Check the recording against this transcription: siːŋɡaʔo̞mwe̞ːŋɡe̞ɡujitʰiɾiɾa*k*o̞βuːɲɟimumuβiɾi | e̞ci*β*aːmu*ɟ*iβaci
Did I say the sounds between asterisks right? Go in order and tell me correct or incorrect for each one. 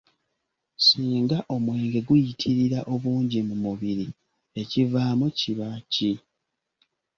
incorrect: ʔ, incorrect: v, incorrect: c

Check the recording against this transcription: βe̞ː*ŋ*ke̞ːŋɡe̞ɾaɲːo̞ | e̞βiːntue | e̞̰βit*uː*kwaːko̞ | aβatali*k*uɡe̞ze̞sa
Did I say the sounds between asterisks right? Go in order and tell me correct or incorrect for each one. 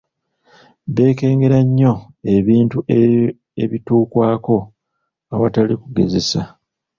incorrect: none, correct, correct

